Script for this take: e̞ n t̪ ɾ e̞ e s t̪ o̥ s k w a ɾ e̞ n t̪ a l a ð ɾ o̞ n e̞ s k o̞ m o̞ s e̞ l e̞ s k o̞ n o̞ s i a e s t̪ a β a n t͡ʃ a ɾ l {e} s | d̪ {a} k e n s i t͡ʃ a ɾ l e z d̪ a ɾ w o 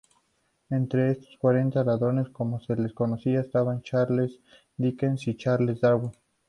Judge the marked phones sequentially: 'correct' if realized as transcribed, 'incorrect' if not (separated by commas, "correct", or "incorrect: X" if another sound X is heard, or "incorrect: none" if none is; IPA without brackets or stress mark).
correct, incorrect: i